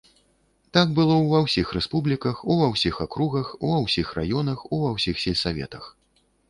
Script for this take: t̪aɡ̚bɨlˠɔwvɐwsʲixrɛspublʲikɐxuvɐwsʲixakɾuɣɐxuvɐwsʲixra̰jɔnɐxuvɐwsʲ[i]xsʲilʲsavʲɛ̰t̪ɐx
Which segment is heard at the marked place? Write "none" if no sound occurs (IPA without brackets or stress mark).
i